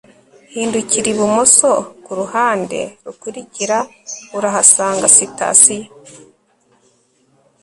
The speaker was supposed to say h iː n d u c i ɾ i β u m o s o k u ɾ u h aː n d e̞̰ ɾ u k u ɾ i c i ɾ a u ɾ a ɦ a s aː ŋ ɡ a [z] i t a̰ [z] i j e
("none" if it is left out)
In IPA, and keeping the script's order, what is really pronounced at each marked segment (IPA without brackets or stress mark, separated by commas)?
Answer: s, s